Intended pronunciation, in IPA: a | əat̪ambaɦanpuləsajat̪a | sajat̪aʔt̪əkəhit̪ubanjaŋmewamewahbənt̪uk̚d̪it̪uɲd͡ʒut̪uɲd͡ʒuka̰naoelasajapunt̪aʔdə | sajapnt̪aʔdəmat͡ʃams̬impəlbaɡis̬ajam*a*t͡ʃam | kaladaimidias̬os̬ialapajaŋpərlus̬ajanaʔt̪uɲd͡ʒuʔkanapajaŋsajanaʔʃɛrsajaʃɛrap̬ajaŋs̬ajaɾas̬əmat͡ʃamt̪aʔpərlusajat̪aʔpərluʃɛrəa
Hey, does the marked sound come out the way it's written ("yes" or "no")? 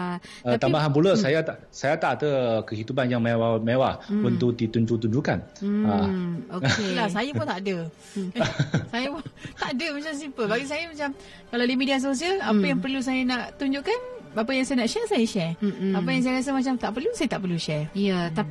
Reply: yes